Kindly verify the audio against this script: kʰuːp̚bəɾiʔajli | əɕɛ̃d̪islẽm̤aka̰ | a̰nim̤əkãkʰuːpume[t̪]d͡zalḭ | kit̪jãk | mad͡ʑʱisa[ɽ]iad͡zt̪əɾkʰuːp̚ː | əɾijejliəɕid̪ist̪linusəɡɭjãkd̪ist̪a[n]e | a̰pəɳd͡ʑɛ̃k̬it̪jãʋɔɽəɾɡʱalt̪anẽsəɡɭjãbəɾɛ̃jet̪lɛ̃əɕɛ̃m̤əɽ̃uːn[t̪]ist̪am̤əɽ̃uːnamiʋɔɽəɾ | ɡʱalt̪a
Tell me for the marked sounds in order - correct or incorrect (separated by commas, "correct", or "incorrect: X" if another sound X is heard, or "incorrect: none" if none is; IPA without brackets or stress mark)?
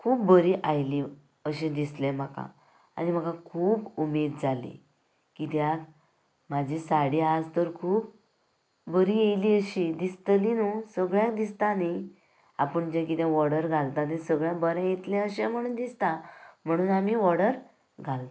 incorrect: d̪, correct, correct, incorrect: d̪